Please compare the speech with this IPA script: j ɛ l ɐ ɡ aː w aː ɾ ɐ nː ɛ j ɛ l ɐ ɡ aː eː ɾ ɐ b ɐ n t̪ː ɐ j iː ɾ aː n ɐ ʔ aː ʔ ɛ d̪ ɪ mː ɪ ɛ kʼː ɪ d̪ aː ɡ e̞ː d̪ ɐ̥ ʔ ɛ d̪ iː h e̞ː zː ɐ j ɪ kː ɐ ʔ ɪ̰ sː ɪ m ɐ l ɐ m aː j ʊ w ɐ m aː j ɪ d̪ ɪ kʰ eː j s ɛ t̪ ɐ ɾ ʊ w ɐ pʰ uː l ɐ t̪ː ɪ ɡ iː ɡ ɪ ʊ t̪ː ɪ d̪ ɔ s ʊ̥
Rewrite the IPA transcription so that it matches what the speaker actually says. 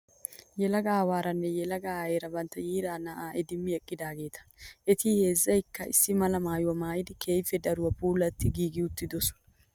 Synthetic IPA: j ɛ l ɐ ɡ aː w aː ɾ ɐ nː ɛ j ɛ l ɐ ɡ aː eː ɾ ɐ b ɐ n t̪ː ɐ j iː ɾ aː n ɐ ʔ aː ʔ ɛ d̪ ɪ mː ɪ ɛ kʼː ɪ d̪ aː ɡ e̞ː t̪ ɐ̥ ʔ ɛ t̪ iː h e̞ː zː ɐ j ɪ kː ɐ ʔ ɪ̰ sː ɪ m ɐ l ɐ m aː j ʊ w ɐ m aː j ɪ d̪ ɪ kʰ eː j f ɛ d̪ ɐ ɾ ʊ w ɐ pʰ uː l ɐ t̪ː ɪ ɡ iː ɡ ɪ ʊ t̪ː ɪ d̪ ɔ s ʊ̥